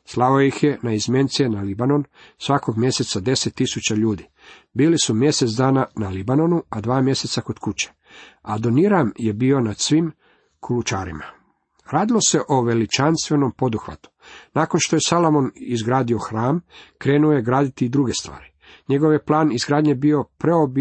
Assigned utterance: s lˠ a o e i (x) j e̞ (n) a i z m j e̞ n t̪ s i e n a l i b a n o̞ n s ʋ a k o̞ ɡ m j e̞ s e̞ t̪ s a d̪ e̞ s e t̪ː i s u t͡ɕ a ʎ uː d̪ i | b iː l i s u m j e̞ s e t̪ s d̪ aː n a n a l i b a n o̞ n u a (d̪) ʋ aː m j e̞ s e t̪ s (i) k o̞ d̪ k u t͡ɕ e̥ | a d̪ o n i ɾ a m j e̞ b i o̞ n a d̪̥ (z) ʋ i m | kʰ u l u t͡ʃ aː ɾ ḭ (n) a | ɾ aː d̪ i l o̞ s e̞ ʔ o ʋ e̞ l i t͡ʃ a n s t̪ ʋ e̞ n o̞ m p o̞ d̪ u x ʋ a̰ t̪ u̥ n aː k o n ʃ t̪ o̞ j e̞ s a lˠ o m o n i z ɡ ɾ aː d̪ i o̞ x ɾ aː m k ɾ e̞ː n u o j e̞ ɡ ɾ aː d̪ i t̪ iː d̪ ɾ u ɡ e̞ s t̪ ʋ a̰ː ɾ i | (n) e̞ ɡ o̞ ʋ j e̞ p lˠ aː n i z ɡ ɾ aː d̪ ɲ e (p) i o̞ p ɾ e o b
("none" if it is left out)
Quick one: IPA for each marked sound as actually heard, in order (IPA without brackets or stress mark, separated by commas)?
x, n, d̪, a, s, m, ɲ, b